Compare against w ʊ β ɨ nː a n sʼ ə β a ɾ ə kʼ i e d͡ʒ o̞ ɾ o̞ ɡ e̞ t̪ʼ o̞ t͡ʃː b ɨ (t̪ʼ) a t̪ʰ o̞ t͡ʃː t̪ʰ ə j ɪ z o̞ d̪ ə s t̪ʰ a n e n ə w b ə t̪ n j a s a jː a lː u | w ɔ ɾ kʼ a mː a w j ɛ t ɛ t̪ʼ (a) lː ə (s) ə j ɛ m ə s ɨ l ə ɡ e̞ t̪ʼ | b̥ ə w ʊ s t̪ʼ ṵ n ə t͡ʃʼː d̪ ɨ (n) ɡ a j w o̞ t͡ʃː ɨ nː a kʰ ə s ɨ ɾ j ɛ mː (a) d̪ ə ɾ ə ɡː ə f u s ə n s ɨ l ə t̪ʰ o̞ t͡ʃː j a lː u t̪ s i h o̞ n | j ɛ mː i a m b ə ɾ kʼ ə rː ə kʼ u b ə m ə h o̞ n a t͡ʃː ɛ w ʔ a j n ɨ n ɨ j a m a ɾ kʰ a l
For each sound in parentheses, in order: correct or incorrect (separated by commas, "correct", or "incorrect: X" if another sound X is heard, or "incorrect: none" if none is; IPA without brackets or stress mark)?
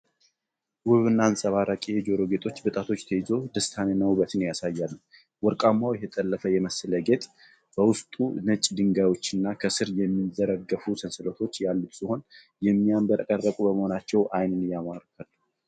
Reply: correct, incorrect: ə, incorrect: f, incorrect: ŋ, incorrect: i